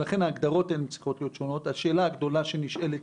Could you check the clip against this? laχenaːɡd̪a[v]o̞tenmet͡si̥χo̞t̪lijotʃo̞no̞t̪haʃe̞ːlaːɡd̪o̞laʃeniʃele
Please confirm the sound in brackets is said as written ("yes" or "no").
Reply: no